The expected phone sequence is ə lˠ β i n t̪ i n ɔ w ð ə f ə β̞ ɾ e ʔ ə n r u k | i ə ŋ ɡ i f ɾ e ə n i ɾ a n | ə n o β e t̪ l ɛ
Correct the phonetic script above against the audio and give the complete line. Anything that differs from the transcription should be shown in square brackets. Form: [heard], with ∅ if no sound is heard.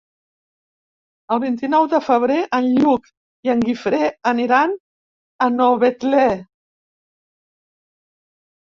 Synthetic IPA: ə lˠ β i n t̪ i n ɔ w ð ə f ə β̞ ɾ e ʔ ə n [ʎ] u k | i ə ŋ ɡ i f ɾ e ə n i ɾ a n | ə n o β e t̪ l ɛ